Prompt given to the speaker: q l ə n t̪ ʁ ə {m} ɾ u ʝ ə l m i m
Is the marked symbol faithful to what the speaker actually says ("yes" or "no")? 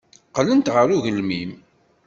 no